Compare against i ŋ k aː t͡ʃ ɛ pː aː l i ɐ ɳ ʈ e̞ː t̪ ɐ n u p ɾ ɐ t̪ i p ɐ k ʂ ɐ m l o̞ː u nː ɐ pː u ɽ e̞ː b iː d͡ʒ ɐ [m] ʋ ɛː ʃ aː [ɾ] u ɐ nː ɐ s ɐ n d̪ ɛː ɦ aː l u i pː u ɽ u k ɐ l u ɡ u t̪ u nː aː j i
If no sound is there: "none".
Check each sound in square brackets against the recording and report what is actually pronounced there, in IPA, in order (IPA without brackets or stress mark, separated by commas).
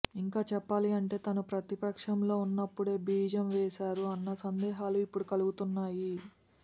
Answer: m, ɾ